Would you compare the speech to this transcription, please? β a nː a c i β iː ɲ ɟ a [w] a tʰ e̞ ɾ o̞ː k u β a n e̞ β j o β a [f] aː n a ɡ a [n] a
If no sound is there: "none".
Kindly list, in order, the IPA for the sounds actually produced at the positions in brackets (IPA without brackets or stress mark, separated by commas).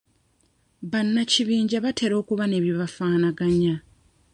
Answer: β, f, ɲ